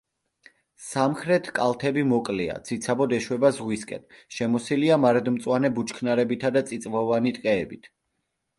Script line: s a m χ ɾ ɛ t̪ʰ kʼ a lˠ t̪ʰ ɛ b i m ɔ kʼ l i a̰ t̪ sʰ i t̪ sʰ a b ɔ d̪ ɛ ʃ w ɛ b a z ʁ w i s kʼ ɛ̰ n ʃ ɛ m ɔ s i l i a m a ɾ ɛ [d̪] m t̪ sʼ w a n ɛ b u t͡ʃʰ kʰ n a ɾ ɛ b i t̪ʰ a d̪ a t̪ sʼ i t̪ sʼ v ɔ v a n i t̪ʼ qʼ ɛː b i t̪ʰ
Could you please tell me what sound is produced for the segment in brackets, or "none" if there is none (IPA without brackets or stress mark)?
d̪